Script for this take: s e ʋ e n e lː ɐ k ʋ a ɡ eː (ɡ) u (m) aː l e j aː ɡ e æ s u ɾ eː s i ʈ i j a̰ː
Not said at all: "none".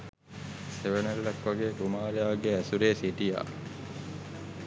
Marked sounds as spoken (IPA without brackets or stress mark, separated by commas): k, m